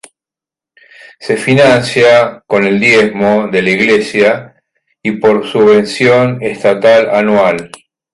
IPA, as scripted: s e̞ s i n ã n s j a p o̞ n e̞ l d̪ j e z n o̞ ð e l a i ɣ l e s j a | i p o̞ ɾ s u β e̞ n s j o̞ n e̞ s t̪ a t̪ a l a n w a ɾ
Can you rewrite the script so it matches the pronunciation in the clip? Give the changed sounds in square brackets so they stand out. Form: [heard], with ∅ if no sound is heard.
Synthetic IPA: s e̞ [f] i n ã n s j a [k] o̞ n e̞ l d̪ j e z [m] o̞ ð e l a i ɣ l e s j a | i p o̞ ɾ s u β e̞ n s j o̞ n e̞ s t̪ a t̪ a l a n w a [l]